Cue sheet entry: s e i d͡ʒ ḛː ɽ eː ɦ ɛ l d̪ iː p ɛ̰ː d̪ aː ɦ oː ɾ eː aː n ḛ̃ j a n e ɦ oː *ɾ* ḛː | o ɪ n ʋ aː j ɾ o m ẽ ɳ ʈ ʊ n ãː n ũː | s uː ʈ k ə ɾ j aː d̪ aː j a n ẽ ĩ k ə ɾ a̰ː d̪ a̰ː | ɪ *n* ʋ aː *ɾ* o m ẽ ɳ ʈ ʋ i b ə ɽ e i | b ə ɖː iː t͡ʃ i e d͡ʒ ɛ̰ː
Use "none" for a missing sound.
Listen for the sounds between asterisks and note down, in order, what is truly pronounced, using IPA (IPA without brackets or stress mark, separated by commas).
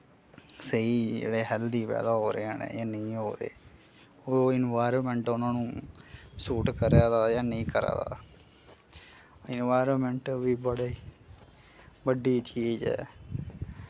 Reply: ɾ, n, ɾ